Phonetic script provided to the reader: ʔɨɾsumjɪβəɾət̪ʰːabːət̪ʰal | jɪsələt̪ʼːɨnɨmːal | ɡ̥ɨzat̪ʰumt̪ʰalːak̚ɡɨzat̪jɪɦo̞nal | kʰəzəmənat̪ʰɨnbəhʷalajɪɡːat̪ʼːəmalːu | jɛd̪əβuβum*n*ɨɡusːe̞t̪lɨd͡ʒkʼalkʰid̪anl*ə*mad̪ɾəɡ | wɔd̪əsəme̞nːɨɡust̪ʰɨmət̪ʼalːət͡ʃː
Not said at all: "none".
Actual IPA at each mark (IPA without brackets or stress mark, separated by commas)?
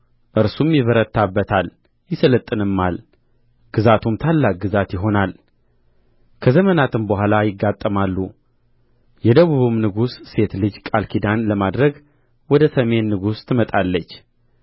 n, ə